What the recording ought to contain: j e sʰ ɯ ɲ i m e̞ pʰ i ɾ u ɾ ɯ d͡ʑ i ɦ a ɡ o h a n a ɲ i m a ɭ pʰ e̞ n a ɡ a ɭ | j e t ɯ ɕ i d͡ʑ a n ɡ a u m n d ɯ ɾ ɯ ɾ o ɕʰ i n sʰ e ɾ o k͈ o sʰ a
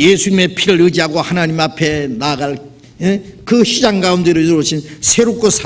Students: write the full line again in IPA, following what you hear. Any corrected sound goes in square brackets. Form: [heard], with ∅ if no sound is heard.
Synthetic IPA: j e sʰ [u] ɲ i m e̞ pʰ i ɾ [ɯ] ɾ ɯ d͡ʑ i ɦ a ɡ o h a n a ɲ i m a [∅] pʰ e̞ n a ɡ a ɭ | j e [k] ɯ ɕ i d͡ʑ a [ŋ] ɡ a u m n d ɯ ɾ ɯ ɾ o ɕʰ i n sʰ e ɾ o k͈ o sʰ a